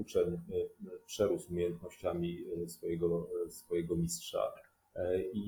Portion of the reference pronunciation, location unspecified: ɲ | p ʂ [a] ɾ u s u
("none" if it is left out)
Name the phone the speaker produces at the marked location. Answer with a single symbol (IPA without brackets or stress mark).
ɛ